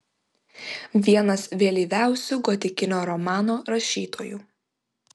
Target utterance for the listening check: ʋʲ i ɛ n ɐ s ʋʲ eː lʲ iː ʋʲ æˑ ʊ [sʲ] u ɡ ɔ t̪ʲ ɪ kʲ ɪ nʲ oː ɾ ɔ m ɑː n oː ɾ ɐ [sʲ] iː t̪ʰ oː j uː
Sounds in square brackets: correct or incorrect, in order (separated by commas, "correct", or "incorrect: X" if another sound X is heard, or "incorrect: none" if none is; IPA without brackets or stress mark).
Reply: correct, incorrect: ʃʲ